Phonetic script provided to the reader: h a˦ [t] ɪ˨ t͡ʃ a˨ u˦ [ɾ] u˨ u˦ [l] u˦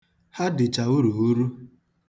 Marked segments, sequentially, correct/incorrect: incorrect, correct, incorrect

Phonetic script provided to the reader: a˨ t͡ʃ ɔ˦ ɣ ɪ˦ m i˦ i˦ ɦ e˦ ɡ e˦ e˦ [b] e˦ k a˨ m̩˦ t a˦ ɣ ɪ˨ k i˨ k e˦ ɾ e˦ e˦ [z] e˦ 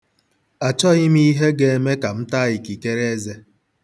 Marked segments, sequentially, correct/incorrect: incorrect, correct

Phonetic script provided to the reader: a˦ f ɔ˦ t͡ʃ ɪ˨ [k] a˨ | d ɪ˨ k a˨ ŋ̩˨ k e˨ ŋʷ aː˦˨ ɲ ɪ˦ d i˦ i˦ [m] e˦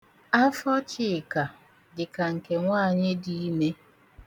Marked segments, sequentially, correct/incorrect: correct, correct

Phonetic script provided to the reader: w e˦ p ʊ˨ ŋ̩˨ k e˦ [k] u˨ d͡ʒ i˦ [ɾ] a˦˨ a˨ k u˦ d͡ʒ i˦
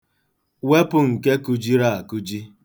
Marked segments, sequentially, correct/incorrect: correct, correct

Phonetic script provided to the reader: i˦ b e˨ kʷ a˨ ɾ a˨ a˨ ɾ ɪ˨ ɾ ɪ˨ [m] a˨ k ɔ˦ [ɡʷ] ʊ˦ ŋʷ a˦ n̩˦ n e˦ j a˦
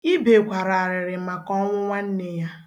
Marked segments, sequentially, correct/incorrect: correct, incorrect

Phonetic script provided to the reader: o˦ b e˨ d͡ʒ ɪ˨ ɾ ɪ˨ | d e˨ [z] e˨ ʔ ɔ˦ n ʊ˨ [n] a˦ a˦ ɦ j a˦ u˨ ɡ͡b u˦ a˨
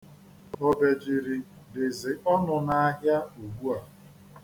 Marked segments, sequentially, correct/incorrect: correct, correct

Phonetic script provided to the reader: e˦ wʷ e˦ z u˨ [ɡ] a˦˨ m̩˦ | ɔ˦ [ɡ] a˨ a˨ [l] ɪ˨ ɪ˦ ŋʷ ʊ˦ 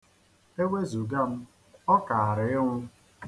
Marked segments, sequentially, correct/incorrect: correct, incorrect, incorrect

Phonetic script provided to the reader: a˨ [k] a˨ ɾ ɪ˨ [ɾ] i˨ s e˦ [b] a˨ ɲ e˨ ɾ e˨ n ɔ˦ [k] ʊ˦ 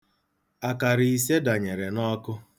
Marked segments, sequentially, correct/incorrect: correct, incorrect, incorrect, correct

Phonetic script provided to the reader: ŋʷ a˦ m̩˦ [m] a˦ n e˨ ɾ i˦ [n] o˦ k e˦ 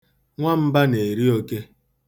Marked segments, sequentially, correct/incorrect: incorrect, incorrect

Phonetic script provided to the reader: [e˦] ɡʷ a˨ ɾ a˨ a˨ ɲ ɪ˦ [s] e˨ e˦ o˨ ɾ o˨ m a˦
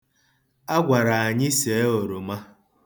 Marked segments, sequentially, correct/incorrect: incorrect, correct

